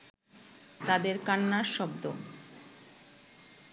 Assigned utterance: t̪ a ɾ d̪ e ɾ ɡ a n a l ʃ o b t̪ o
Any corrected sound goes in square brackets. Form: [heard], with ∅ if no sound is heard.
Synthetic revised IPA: t̪ a [∅] d̪ e ɾ [k] a [nː] a [ɾ] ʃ [ɔ] b [d̪] o